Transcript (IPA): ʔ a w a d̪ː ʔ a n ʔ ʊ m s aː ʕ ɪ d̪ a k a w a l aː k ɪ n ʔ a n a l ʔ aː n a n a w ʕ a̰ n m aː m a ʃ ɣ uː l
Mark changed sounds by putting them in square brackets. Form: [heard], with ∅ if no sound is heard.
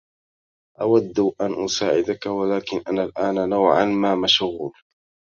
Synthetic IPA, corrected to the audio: ʔ a w a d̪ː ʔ a n ʔ ʊ [∅] s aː ʕ ɪ d̪ a k a w a l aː k ɪ n ʔ a n a l ʔ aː n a n a w ʕ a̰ n m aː m a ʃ ɣ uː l

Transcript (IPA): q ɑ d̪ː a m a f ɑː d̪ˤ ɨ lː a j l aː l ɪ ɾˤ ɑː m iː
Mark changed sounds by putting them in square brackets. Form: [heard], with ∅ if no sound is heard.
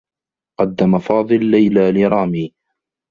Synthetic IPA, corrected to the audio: q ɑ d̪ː a m a f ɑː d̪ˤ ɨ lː a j l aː l ɪ ɾˤ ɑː m iː

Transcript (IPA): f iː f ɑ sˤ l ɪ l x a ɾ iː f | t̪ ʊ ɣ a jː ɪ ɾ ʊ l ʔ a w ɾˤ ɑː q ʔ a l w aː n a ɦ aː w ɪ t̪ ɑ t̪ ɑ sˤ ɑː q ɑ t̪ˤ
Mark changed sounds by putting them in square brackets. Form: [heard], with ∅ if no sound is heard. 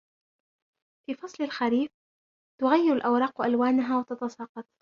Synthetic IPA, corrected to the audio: f iː f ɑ sˤ l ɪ l x a ɾ iː f | t̪ ʊ ɣ a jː ɪ ɾ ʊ l ʔ a w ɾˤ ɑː q ʔ a l w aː n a ɦ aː w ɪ t̪ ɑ t̪ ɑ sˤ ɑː q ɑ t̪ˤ

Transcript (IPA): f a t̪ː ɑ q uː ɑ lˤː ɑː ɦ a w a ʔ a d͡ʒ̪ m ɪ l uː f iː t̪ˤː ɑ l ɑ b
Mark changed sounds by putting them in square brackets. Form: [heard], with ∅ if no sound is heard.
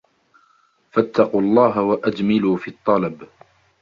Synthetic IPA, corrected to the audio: f a t̪ː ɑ q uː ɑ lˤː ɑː ɦ a w a ʔ a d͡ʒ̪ m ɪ l uː f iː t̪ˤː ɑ l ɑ b

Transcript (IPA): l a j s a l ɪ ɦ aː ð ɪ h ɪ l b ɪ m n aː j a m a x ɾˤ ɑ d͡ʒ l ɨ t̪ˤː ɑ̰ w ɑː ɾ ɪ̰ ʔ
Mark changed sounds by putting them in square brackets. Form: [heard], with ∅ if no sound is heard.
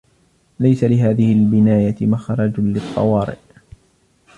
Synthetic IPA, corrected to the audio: l a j s a l ɪ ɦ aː ð ɪ h ɪ l b ɪ [∅] n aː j a m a x ɾˤ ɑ d͡ʒ l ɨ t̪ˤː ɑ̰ w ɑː ɾ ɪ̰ ʔ

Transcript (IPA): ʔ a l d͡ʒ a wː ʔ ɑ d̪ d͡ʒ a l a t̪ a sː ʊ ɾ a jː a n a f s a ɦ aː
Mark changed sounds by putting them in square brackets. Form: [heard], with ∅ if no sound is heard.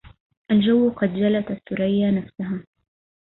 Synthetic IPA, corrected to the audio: ʔ a l d͡ʒ a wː [q] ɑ d̪ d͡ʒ a l a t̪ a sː ʊ ɾ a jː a n a f s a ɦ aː

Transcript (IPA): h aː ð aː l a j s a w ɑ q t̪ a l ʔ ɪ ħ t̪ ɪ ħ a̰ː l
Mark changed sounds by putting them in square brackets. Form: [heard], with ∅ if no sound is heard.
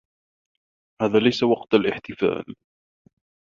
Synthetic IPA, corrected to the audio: h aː ð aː l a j s a w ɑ q t̪ a l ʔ ɪ ħ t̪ ɪ [f] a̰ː l

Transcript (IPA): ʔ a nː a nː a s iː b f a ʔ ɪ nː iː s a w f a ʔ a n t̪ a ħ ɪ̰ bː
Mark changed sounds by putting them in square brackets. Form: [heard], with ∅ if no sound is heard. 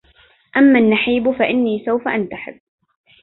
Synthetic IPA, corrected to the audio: ʔ a [mː] a nː a [ħ] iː b f a ʔ ɪ nː iː s a w f a ʔ a n t̪ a ħ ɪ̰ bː

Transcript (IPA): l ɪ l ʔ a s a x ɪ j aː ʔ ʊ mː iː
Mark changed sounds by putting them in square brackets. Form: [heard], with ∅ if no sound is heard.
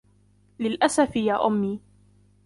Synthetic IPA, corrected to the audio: l ɪ l ʔ a s a [f] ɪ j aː ʔ ʊ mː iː

